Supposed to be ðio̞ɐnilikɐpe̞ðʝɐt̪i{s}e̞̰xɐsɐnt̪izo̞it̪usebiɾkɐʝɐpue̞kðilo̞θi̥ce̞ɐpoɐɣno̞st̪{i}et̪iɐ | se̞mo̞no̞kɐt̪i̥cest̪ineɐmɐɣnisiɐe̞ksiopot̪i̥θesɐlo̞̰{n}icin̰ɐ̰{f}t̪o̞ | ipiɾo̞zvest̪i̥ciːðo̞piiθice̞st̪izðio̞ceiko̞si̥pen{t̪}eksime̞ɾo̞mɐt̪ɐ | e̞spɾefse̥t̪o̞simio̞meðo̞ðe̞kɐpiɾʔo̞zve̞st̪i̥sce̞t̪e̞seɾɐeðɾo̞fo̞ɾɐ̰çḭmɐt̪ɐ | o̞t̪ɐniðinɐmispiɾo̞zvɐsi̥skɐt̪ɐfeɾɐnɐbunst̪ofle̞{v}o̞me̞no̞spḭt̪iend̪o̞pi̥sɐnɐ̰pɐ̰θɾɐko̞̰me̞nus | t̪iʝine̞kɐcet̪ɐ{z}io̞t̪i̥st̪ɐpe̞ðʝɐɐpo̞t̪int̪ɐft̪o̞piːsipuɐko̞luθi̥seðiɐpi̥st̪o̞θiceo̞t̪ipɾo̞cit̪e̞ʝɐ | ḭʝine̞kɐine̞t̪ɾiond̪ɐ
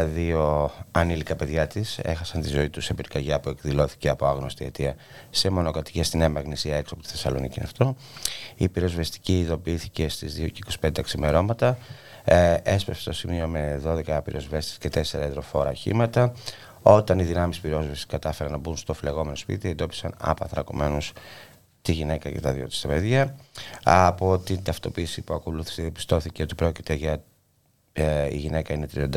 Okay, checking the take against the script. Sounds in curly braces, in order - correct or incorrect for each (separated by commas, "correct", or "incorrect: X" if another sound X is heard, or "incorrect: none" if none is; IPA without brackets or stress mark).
correct, correct, correct, correct, incorrect: d̪, incorrect: ɣ, incorrect: ð